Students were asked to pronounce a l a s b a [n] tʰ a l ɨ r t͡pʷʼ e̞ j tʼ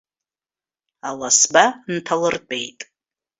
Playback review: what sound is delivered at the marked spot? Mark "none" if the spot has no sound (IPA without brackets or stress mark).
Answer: n